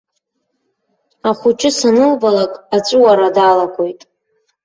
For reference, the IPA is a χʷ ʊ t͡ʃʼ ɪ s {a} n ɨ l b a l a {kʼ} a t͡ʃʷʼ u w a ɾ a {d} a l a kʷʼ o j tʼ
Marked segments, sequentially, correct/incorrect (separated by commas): correct, correct, correct